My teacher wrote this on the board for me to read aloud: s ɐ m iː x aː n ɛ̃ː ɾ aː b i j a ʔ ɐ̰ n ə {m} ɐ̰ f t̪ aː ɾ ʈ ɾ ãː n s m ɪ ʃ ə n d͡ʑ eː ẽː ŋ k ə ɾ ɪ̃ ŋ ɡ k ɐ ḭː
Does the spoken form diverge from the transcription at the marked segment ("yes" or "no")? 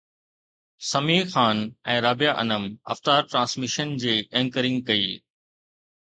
no